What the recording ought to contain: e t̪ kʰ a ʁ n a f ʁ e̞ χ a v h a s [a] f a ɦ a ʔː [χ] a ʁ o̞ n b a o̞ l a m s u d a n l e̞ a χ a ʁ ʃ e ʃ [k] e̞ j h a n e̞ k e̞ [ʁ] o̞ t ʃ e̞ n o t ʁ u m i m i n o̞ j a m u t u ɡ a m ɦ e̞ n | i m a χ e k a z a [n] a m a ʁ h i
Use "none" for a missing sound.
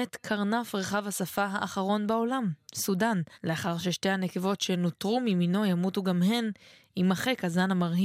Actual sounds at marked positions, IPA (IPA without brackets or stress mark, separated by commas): a, χ, t, v, n